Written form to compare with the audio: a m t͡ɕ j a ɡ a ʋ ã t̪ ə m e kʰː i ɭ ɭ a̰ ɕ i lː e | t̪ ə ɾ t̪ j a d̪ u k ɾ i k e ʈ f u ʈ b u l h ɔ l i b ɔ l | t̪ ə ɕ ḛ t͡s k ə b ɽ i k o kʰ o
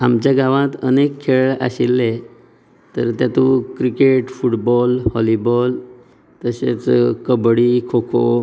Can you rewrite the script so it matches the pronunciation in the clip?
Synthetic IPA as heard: a m t͡ɕ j a ɡ a ʋ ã t̪ ə n e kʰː e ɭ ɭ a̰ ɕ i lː e | t̪ ə ɾ t̪ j a t̪ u k ɾ i k e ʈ f u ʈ b ɔ l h ɔ l i b ɔ l | t̪ ə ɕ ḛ t͡s k ə b ɽ i kʰ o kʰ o